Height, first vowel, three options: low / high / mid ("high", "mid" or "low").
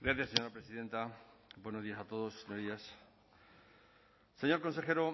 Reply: low